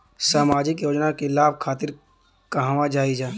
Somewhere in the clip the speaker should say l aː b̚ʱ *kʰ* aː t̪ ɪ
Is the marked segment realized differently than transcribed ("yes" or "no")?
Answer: no